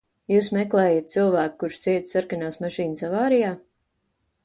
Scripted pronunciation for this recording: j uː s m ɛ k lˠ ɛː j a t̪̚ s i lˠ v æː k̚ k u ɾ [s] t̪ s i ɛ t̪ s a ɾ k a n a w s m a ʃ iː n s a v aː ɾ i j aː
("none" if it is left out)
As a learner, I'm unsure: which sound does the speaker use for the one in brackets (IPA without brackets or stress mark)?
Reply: ʃ